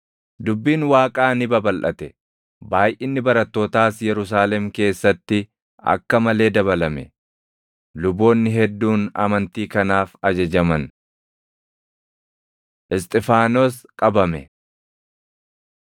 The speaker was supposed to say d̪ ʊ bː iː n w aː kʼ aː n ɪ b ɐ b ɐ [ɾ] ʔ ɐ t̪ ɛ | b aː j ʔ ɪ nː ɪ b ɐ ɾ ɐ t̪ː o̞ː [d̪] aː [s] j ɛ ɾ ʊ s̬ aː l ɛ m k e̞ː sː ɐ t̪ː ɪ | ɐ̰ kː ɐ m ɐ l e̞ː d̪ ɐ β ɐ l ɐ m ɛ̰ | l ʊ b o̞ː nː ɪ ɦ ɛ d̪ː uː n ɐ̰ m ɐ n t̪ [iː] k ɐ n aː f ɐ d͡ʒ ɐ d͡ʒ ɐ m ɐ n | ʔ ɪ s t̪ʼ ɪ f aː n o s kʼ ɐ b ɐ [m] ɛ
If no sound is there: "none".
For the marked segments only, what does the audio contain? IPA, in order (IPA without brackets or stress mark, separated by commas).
l, t̪, s, iː, m